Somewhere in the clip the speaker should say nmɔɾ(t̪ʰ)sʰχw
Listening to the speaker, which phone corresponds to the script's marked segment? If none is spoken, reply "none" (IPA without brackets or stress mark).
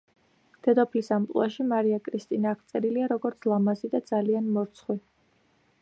t̪